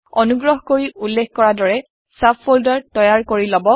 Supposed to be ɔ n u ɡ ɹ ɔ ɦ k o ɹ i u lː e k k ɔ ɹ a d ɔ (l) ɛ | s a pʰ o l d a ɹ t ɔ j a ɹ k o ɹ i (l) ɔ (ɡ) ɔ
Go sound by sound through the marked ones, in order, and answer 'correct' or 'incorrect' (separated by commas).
incorrect, correct, incorrect